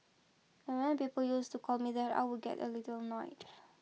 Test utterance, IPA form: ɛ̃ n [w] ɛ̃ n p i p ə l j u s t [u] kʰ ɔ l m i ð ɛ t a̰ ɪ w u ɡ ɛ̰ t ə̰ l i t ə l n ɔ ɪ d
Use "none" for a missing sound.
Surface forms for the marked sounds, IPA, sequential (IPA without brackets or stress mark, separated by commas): w, u